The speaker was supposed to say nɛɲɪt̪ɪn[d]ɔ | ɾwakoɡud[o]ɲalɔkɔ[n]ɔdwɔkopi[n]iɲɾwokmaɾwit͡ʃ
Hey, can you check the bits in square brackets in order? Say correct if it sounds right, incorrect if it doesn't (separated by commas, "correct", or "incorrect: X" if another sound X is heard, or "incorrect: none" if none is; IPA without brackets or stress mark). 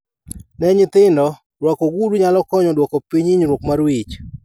correct, incorrect: u, incorrect: ɲ, incorrect: ɲ